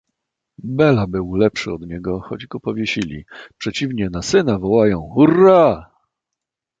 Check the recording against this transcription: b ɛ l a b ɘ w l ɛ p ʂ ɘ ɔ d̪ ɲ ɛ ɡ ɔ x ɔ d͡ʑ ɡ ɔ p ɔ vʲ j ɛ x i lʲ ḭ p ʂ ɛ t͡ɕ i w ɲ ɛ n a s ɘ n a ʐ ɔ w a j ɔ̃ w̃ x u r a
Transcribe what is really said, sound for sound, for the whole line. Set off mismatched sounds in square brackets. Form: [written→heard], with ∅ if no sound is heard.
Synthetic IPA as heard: b ɛ l a b ɘ w l ɛ p ʂ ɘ ɔ d̪ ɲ ɛ ɡ ɔ x ɔ d͡ʑ ɡ ɔ p ɔ vʲ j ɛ [x→ɕ] i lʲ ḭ p ʂ ɛ t͡ɕ i [w→v] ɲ ɛ n a s ɘ n a [ʐ→v] ɔ w a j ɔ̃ w̃ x u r a